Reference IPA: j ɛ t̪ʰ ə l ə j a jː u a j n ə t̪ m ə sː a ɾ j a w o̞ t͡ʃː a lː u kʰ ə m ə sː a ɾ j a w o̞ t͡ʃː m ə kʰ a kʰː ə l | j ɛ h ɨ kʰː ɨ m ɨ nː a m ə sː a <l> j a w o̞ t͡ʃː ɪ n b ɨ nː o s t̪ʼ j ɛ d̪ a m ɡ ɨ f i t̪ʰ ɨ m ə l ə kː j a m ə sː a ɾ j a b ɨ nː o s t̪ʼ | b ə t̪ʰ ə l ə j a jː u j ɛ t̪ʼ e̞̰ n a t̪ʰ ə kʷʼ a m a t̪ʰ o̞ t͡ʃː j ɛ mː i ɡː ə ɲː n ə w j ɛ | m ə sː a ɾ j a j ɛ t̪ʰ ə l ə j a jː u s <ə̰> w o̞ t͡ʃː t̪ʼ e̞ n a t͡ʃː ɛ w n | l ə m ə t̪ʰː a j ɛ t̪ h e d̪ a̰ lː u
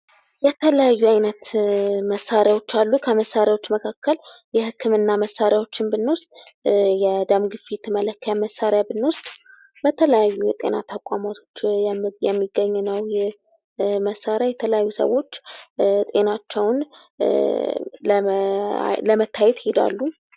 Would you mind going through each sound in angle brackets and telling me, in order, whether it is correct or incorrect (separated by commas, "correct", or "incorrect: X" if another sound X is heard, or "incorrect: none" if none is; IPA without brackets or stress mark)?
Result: incorrect: ɾ, correct